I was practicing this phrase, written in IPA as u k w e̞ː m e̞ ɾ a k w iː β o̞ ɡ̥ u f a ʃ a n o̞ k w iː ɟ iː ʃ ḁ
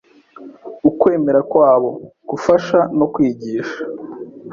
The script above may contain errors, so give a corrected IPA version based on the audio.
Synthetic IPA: u k w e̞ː m e̞ ɾ a k w aː β o̞ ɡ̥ u f a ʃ a n o̞ k w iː ɟ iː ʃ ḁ